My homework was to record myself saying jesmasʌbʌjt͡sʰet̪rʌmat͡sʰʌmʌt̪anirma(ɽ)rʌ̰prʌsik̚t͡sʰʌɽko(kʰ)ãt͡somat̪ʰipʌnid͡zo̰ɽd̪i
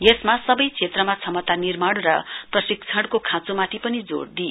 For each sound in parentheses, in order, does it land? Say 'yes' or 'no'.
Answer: yes, yes

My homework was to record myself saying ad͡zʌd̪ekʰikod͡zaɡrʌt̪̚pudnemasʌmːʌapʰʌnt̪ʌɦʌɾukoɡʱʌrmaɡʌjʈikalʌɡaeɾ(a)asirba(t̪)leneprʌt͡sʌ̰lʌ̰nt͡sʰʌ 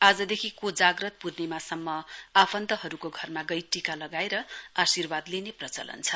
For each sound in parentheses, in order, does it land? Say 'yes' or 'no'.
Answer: no, no

